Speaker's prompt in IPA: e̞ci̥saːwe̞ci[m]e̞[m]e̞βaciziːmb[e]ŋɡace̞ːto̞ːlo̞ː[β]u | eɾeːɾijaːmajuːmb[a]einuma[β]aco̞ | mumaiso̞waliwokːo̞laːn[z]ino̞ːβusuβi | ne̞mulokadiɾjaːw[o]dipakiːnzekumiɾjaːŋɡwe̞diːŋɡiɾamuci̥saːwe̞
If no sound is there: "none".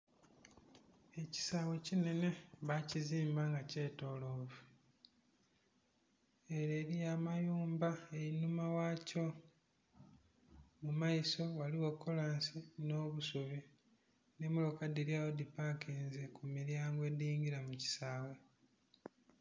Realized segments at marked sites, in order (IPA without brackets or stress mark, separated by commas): n, n, a, v, a, w, s, o